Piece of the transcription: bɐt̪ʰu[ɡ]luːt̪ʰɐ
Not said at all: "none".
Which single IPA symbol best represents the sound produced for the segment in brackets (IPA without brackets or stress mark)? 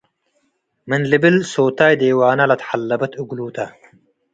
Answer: ɡ